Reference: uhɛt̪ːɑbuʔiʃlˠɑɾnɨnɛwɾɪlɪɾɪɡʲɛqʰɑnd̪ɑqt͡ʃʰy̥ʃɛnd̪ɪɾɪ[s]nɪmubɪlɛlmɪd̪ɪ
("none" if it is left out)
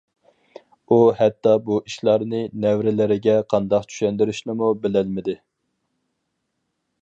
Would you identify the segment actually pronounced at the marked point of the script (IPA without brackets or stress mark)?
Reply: ʃ